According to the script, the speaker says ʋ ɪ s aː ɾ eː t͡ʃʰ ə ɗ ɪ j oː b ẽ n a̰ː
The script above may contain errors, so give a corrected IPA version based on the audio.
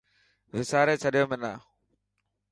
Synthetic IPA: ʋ ɪ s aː ɾ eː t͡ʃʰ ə ɗ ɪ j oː m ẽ n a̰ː